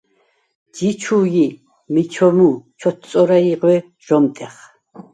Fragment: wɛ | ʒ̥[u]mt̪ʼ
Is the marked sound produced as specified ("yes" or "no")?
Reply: no